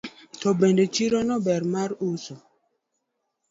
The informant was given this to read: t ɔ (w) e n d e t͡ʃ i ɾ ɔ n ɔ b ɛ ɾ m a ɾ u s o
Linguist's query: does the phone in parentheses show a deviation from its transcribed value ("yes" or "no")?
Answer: yes